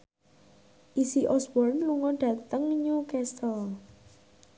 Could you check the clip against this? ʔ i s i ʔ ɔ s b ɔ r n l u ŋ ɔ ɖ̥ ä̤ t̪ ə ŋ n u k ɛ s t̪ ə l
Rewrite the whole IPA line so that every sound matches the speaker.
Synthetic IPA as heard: ʔ i s i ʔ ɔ s b ɔ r n l u ŋ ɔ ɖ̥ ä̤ t̪ ə ŋ ɲ u k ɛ s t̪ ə l